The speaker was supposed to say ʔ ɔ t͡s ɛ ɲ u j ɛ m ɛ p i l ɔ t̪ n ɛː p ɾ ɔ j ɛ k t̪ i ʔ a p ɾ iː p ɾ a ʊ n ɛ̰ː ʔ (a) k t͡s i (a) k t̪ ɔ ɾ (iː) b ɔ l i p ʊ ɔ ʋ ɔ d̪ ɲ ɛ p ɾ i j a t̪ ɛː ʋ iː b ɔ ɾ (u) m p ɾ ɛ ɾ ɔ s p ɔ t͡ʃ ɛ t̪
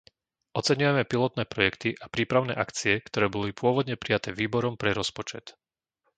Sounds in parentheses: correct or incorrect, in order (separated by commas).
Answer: correct, incorrect, incorrect, incorrect